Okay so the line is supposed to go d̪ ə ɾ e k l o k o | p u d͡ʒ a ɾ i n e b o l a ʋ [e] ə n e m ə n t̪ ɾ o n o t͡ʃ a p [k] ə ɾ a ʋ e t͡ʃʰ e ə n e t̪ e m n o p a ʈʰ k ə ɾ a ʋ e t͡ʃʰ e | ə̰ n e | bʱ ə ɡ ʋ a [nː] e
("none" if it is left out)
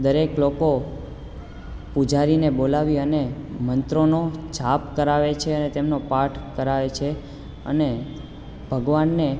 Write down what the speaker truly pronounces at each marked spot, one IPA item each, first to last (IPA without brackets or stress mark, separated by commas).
i, k, nː